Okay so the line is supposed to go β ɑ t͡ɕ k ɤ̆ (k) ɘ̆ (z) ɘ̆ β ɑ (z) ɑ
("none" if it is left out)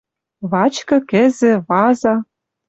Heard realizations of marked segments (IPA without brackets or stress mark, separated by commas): k, z, z